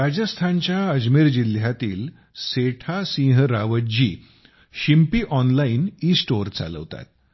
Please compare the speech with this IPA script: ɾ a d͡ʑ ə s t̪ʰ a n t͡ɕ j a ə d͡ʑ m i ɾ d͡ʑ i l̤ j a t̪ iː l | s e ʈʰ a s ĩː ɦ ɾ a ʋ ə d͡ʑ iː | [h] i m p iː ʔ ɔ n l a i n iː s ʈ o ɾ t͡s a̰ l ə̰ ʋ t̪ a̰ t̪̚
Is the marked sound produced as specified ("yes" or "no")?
no